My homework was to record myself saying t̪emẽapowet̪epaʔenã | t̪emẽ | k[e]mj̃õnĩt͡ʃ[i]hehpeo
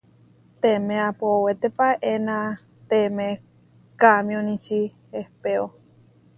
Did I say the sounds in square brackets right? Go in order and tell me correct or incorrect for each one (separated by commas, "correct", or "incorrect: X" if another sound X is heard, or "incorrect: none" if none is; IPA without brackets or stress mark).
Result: incorrect: a, correct